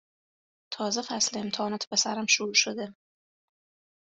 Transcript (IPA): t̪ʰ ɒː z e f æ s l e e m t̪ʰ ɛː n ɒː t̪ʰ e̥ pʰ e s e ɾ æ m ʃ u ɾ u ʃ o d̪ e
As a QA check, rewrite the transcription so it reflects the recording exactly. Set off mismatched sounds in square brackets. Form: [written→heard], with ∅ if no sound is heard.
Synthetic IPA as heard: t̪ʰ ɒː z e f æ s l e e m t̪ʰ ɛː n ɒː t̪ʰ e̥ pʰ e s [e→æ] ɾ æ m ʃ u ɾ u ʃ o d̪ e

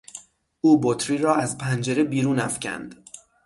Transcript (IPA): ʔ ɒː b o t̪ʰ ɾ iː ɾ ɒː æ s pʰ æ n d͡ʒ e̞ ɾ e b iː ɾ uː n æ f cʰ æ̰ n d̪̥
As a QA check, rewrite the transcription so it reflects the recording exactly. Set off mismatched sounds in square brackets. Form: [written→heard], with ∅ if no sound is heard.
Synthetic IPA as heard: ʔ [ɒː→uː] b o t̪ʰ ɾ iː ɾ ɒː æ [s→z] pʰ æ n d͡ʒ e̞ ɾ e b iː ɾ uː n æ f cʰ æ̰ n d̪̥

